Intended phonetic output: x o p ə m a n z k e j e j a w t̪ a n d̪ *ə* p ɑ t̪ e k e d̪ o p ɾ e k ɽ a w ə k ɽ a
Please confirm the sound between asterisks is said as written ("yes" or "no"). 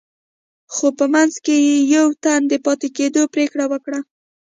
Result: yes